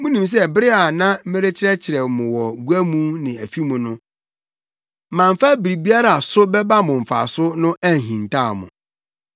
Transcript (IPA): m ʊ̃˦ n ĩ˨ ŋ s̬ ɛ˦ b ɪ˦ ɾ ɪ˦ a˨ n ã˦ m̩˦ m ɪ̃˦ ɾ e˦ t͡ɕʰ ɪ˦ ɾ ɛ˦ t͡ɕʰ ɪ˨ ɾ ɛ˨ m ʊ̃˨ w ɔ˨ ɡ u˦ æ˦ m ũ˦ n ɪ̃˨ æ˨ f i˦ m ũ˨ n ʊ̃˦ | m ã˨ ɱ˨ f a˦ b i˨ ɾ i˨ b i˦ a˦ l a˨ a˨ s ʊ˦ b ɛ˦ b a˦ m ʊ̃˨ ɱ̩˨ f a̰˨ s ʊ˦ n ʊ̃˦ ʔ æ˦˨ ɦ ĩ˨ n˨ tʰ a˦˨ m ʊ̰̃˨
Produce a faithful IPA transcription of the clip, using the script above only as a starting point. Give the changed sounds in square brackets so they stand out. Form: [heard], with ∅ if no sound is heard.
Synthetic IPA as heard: m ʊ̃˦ n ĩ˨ [m] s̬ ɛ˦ b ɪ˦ ɾ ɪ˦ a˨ n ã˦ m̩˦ m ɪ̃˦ ɾ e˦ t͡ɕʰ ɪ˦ ɾ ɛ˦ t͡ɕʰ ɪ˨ ɾ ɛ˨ m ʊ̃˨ w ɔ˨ ɡ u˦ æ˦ m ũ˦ n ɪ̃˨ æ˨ f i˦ m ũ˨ n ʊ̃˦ | m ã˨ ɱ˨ f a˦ b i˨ ɾ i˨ b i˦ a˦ [ɾ] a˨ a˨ s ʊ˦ b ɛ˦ b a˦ m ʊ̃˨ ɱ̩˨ f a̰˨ s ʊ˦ n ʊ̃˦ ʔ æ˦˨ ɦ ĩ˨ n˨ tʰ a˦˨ m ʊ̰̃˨